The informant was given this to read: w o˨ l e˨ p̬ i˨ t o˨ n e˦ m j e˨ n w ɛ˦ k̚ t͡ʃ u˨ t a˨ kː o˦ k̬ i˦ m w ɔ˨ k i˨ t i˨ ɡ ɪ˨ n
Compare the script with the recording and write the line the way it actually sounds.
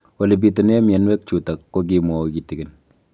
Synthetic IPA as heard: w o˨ l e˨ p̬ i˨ t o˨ n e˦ m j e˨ n w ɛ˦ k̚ t͡ʃ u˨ t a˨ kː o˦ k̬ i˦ m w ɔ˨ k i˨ t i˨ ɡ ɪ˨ n